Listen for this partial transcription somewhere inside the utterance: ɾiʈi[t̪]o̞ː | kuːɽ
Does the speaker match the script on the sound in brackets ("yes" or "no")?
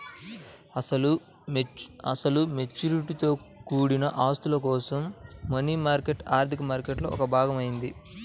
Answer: yes